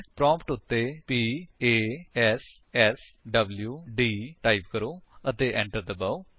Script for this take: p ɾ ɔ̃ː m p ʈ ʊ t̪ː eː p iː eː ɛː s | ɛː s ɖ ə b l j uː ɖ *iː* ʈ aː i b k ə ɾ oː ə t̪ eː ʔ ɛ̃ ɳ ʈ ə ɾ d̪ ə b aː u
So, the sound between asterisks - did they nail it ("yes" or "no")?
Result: yes